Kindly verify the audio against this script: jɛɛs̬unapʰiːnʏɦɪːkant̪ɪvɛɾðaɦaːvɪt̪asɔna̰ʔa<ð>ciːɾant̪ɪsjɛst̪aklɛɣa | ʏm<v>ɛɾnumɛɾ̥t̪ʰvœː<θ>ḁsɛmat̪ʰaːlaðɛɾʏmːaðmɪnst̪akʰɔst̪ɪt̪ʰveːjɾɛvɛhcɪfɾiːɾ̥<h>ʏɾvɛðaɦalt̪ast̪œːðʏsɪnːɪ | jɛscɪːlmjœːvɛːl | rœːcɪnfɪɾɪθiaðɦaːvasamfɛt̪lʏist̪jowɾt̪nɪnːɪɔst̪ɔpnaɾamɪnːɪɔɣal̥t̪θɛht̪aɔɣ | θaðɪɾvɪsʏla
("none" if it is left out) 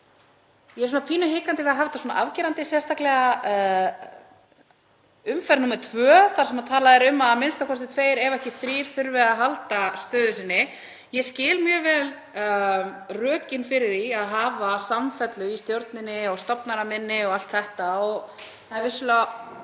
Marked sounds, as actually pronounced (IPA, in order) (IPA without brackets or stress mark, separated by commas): v, f, θ, θ